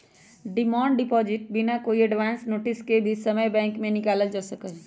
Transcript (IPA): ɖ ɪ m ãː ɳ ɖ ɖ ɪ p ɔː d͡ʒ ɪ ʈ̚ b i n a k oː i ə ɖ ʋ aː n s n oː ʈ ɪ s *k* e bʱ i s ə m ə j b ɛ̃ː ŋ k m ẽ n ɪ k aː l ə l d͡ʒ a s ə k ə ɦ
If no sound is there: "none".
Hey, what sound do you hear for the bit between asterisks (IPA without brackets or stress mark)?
k